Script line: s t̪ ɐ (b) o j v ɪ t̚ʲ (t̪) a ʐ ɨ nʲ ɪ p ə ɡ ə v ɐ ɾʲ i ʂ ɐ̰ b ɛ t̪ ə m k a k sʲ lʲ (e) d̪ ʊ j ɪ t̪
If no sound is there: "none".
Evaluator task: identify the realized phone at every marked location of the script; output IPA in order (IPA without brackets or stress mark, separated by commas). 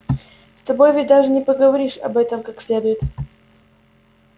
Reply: b, d̪, e